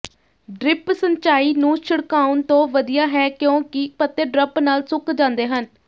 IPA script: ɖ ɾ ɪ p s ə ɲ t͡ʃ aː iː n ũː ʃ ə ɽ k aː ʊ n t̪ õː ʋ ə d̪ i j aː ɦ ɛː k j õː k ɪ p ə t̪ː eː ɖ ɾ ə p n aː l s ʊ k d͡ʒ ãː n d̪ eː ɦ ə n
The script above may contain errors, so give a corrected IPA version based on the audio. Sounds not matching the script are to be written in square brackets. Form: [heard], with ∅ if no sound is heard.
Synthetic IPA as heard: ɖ ɾ ɪ p s ə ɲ t͡ʃ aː iː n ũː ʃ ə ɽ k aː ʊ n t̪ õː ʋ ə d̪ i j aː ɦ ɛː k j õː k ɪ p ə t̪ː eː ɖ ɾ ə p n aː l s ʊ k d͡ʒ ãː n d̪ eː ɦ ə n